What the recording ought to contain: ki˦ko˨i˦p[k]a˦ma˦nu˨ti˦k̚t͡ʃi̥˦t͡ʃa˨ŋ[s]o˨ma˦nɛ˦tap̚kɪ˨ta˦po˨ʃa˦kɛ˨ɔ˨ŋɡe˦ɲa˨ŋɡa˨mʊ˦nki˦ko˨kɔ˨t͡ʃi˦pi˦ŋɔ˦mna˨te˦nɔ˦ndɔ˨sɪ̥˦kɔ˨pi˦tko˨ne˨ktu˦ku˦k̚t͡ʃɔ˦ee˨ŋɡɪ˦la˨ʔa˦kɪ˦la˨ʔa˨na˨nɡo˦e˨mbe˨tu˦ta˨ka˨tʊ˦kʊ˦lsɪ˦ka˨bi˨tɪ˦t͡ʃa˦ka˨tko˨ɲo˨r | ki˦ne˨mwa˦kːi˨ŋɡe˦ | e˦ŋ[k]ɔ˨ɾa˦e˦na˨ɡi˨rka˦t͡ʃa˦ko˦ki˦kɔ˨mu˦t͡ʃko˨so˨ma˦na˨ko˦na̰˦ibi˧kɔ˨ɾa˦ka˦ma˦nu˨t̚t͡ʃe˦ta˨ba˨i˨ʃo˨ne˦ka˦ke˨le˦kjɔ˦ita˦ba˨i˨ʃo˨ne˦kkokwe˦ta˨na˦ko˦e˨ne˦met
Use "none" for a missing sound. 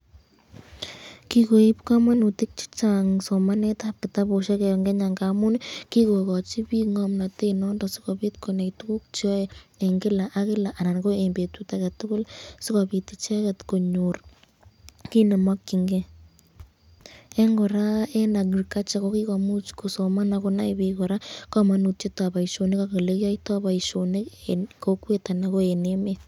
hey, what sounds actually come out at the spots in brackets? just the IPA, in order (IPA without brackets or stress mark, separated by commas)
k, s, ɡ